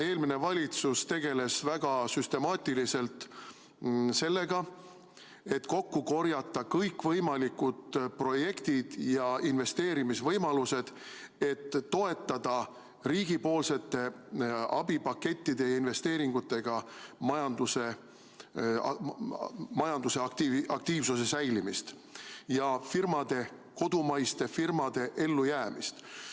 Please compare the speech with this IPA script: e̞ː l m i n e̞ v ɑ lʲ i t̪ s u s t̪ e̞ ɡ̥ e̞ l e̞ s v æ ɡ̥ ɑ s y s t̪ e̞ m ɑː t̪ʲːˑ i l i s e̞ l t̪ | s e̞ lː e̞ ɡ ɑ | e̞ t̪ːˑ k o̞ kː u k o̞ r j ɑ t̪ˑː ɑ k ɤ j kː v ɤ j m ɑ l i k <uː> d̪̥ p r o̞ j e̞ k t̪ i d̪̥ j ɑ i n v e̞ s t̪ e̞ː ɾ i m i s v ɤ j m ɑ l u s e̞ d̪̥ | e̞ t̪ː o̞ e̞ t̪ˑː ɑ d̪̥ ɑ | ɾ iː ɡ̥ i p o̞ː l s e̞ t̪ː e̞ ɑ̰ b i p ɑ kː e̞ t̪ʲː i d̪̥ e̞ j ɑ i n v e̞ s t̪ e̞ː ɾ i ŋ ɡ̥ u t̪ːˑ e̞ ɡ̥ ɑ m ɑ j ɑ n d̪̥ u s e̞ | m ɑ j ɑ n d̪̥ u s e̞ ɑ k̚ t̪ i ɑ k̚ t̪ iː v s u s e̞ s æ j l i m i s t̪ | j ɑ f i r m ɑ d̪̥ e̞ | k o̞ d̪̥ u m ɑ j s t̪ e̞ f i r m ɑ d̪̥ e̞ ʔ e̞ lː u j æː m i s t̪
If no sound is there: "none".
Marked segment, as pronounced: u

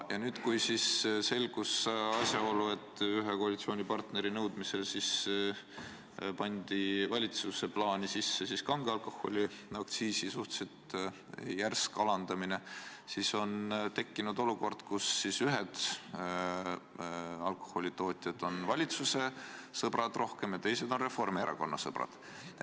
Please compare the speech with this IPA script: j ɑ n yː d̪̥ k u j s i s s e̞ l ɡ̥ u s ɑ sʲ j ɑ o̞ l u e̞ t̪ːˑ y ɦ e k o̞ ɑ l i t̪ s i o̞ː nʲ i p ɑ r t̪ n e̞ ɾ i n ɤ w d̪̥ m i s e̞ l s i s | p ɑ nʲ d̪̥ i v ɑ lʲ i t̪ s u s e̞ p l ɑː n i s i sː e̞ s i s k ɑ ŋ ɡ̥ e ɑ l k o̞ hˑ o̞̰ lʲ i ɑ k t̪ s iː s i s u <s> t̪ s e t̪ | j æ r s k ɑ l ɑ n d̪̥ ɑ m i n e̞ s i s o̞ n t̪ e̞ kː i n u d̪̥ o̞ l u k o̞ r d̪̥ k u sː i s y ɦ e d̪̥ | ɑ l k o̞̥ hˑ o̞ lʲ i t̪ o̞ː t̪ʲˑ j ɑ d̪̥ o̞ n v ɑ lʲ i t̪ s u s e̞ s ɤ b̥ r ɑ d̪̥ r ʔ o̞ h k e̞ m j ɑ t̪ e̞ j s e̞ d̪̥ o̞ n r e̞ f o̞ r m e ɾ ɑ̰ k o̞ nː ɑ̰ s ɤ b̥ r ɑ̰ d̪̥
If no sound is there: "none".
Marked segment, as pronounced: h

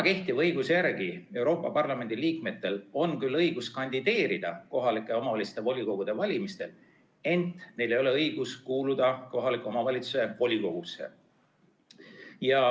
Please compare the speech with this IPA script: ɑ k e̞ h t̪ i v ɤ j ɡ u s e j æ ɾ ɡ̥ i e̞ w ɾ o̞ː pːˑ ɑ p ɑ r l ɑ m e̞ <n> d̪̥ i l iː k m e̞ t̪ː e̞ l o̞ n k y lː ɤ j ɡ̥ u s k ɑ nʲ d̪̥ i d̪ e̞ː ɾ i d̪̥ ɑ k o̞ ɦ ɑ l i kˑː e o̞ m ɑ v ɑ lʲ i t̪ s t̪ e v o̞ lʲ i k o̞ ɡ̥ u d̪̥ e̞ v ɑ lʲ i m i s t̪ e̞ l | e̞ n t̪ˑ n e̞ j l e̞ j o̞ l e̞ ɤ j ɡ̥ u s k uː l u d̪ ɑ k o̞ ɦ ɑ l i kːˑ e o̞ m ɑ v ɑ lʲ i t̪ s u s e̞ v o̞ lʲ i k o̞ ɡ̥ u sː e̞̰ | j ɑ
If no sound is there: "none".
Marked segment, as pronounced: n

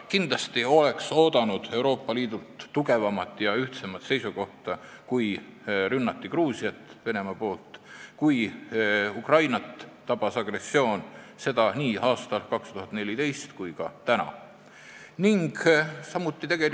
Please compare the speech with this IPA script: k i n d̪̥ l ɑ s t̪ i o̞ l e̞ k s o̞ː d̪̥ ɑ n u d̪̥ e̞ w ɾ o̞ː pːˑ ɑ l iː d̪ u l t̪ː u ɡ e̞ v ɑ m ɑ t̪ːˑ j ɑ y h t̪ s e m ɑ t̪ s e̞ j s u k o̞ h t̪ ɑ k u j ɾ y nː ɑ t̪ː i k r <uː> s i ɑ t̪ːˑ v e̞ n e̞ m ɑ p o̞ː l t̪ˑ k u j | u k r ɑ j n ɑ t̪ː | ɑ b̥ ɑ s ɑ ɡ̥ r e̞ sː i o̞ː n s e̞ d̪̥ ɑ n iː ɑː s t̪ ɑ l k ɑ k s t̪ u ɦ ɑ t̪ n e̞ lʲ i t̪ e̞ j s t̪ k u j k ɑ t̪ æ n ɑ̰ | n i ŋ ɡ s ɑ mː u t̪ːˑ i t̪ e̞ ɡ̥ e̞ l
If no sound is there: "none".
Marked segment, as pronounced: uː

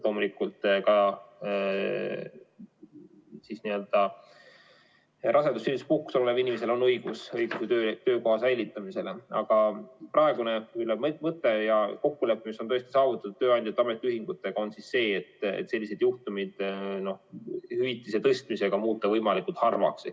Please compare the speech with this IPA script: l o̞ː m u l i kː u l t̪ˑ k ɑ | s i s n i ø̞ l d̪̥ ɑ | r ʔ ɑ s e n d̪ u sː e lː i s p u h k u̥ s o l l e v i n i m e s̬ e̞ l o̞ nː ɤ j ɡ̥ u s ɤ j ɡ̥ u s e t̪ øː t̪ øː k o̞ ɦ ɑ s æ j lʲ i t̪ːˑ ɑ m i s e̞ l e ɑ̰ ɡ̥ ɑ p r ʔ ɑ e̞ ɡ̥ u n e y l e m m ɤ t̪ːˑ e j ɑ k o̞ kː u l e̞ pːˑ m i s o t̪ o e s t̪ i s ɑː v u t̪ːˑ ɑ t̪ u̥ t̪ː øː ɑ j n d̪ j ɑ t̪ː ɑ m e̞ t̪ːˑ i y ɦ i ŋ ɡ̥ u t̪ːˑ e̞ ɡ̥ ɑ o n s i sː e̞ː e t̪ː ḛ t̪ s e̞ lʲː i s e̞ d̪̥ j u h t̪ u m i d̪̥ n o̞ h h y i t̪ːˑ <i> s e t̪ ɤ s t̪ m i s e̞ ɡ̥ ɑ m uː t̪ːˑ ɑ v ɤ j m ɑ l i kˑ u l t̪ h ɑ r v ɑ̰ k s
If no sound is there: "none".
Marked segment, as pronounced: i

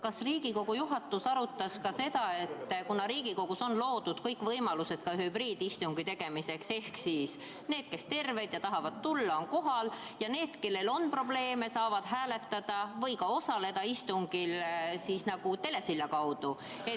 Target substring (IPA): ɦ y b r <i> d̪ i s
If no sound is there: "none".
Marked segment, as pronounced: iː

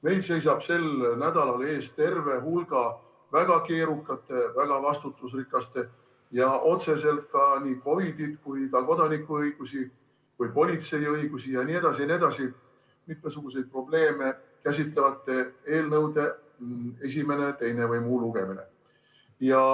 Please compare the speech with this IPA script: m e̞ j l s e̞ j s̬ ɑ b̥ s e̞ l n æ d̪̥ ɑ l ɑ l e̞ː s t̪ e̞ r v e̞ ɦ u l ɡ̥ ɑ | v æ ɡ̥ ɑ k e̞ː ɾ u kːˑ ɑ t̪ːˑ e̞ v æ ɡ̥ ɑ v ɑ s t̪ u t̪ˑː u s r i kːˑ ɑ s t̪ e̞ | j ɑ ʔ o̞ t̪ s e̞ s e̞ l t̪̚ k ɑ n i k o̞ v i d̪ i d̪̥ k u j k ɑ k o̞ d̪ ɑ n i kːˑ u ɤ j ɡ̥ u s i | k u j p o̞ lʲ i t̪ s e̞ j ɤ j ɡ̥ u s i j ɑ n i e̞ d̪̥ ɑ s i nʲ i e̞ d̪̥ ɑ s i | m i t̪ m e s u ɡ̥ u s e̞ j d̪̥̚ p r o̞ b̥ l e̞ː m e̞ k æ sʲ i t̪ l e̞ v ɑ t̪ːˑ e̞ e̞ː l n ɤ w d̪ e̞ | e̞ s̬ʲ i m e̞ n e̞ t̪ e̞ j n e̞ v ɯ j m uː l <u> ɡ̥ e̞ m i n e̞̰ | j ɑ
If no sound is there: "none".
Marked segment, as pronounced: u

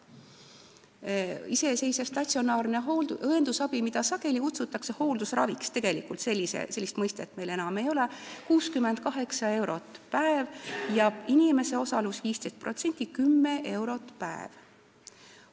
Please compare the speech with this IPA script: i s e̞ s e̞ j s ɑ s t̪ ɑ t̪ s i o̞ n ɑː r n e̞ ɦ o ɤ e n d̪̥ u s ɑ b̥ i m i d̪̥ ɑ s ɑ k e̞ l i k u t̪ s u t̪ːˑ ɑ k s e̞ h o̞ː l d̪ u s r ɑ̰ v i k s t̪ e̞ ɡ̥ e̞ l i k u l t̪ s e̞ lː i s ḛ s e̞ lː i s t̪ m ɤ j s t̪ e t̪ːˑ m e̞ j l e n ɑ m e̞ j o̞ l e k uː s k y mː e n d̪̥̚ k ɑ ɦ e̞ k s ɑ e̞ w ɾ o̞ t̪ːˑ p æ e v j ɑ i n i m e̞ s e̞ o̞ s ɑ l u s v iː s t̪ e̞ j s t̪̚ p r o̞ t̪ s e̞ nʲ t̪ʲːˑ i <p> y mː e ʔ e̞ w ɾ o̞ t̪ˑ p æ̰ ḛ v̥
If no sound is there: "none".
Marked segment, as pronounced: k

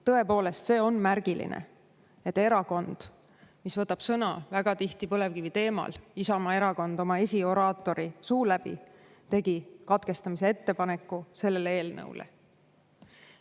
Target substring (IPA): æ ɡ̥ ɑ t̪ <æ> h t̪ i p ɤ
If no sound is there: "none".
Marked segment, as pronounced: i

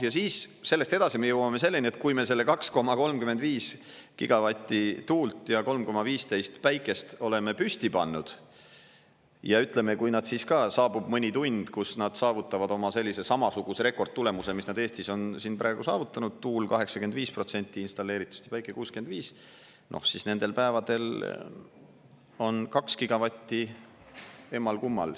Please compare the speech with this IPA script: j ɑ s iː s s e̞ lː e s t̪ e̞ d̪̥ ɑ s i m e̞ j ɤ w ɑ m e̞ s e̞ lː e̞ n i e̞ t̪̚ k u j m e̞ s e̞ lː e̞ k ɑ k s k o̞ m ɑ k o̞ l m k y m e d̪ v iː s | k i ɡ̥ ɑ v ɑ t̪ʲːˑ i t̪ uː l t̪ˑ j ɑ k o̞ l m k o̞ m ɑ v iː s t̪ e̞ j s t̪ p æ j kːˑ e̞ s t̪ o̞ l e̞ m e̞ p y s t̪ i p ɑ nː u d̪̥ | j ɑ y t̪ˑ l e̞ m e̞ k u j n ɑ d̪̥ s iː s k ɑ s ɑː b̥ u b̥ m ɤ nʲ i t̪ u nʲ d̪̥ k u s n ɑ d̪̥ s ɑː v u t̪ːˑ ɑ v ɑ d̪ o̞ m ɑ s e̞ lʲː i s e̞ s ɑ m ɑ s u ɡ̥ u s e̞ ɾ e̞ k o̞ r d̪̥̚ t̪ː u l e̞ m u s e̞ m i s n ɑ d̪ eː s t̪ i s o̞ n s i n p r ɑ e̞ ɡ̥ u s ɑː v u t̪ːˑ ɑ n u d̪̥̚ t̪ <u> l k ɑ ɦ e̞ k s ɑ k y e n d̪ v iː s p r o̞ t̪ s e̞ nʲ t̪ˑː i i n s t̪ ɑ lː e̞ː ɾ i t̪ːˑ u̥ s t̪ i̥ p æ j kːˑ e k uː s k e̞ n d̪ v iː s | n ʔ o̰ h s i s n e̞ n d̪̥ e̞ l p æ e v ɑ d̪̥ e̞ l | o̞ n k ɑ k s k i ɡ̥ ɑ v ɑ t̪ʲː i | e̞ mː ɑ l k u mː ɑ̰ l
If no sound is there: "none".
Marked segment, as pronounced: uː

